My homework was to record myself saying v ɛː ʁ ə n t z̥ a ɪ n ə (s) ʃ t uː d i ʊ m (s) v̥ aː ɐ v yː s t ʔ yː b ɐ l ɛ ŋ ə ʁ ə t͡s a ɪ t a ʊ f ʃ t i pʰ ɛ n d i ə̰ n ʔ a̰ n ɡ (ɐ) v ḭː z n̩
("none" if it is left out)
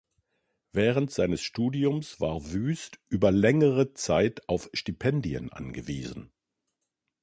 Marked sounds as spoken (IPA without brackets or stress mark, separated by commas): s, s, ə